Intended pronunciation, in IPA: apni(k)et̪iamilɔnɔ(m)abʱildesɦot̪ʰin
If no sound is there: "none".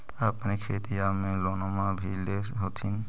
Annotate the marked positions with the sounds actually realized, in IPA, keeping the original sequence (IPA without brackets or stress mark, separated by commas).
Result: kʰ, m